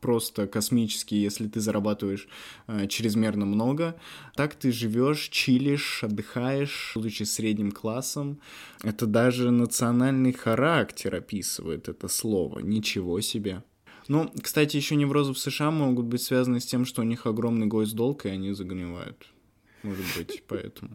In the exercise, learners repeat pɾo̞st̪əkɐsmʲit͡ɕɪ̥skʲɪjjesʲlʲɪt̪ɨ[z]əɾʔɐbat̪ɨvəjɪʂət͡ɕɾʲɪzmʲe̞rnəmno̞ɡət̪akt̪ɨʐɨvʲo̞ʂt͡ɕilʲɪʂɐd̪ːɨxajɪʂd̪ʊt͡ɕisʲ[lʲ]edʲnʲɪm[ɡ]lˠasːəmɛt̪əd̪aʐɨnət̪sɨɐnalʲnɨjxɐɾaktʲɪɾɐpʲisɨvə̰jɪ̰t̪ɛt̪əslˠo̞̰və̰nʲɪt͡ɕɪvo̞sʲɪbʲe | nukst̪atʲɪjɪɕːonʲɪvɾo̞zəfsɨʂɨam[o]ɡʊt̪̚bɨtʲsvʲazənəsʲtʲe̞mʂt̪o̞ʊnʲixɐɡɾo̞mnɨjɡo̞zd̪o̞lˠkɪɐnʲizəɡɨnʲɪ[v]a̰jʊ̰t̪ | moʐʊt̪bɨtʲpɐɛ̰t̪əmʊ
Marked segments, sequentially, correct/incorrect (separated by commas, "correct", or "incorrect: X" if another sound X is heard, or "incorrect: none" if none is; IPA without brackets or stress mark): correct, incorrect: ɾʲ, incorrect: k, correct, correct